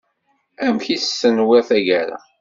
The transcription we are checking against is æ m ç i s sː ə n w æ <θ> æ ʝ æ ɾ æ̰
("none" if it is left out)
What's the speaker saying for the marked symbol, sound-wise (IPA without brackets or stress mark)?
θ